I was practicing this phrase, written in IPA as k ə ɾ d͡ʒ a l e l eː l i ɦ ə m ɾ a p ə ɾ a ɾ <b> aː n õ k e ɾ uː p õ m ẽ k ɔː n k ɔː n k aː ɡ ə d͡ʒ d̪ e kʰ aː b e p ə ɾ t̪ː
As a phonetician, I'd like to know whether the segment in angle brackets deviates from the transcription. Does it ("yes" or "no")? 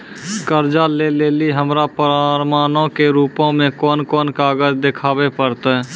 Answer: yes